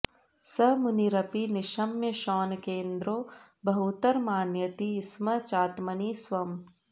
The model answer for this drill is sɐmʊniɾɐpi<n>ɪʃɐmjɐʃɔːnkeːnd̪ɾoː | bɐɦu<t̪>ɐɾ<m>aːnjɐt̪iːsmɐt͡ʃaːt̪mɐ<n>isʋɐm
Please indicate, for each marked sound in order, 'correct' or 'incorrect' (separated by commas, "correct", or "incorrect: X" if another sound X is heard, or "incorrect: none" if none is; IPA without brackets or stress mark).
correct, correct, correct, correct